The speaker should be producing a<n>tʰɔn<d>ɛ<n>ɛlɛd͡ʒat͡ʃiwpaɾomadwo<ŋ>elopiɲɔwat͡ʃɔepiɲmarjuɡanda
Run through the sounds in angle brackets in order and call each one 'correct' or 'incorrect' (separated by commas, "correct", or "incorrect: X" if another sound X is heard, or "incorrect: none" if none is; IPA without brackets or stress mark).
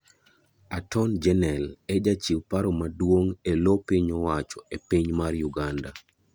incorrect: none, incorrect: d͡ʒ, correct, correct